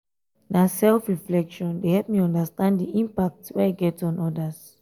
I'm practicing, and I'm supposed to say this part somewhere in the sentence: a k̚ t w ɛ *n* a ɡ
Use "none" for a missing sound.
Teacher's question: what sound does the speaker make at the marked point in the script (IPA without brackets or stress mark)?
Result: none